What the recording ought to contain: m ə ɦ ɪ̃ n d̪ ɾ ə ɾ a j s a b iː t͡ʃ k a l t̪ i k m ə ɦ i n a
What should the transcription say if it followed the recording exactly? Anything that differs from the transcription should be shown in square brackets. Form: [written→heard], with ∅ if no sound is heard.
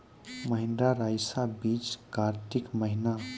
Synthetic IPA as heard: m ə ɦ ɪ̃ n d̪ ɾ [ə→a] ɾ a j s a b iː t͡ʃ k a [l→ɾ] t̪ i k m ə ɦ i n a